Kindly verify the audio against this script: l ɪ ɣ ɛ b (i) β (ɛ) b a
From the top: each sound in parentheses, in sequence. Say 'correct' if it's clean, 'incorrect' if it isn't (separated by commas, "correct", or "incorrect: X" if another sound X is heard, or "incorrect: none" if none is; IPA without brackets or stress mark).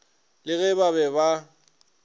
incorrect: a, correct